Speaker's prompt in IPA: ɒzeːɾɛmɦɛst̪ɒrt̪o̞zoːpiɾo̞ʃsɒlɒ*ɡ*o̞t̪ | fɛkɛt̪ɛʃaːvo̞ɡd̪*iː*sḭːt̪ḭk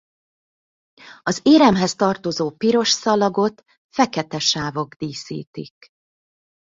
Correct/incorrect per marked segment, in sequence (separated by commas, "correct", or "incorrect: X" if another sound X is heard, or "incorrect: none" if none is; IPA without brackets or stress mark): correct, correct